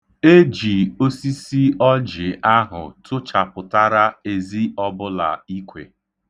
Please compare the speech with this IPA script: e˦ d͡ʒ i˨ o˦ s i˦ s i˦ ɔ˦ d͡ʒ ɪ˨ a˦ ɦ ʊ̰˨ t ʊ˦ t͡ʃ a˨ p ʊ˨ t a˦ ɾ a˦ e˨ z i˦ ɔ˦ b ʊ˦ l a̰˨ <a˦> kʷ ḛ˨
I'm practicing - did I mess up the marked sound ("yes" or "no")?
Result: yes